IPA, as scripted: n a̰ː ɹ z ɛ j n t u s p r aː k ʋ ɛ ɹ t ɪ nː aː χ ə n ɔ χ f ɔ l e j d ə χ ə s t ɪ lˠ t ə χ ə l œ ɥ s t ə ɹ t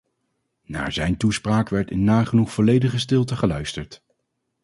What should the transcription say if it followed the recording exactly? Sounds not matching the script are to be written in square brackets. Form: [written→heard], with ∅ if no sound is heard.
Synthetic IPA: n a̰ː ɹ z ɛ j n t u s p r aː k ʋ ɛ ɹ t ɪ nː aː χ ə n [ɔ→u] χ f ɔ l e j d ə χ ə s t ɪ lˠ t ə χ ə l œ ɥ s t ə ɹ t